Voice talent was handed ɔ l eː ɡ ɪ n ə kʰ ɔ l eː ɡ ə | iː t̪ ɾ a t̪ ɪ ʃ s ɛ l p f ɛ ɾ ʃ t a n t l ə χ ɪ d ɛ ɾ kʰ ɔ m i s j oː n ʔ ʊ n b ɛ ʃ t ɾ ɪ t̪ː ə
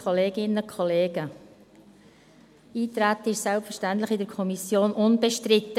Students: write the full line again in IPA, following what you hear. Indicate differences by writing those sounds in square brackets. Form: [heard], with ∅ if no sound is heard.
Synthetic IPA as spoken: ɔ l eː ɡ ɪ n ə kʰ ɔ l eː ɡ ə | iː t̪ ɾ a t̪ ɪ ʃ s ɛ l p f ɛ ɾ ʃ t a n t l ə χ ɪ d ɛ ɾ kʰ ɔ m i s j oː n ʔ ʊ n b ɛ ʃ t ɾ ɪ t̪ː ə